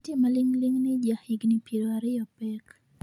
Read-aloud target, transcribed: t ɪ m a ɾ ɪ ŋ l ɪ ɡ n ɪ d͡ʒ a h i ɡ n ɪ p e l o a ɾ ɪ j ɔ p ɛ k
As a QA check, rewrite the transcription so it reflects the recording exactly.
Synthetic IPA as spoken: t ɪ m a l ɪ ŋ l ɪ ŋ n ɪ d͡ʒ a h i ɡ n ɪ p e ɾ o a ɾ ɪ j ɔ p ɛ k